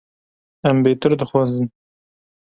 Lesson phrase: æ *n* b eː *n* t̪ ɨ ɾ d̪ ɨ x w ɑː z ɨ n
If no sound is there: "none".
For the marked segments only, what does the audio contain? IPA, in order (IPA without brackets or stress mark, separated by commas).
m, none